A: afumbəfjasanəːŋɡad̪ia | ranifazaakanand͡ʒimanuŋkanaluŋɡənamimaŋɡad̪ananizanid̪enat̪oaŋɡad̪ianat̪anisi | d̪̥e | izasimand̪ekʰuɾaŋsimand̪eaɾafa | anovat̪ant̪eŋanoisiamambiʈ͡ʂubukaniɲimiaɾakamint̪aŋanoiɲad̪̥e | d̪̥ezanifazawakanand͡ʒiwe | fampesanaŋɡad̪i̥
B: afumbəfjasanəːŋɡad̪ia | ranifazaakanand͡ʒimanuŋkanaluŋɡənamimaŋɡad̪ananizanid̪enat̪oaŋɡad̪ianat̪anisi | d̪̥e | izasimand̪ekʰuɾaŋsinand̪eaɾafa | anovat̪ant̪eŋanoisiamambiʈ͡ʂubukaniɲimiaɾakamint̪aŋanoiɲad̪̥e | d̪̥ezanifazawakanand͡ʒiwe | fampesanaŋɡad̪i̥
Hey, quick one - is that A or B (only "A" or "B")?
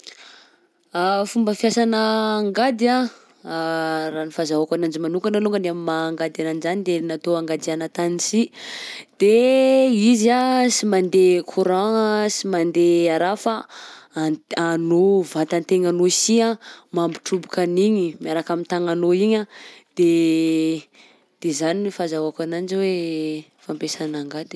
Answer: A